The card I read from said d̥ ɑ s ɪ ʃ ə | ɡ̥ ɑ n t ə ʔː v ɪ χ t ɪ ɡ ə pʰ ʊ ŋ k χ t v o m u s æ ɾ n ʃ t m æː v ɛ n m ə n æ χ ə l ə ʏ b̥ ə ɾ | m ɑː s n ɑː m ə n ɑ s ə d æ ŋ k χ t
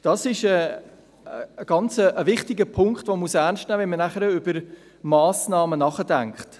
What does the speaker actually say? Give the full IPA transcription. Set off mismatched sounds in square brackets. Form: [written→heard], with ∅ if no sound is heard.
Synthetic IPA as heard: d̥ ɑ s ɪ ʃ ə | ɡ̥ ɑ n [t→t͡s] ə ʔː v ɪ χ t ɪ ɡ ə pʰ ʊ ŋ k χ t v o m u s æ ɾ n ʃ t [m→n] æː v ɛ n m ə n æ χ ə [l→ɾ] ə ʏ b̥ ə ɾ | m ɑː s n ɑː m ə n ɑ [s→χ] ə d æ ŋ k χ t